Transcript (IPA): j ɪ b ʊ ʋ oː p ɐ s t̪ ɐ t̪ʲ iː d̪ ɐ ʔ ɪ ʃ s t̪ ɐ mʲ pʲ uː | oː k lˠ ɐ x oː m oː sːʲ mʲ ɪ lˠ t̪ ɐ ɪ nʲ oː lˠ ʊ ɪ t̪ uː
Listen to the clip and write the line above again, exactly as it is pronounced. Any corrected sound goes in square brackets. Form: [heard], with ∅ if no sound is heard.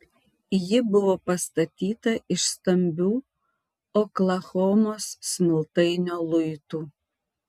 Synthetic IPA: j ɪ b ʊ ʋ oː p ɐ s t̪ ɐ t̪ʲ iː [t̪] ɐ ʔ ɪ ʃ s t̪ ɐ mʲ [bʲ] uː | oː k lˠ ɐ x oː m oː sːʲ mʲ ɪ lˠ t̪ ɐ ɪ nʲ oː lˠ ʊ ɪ t̪ uː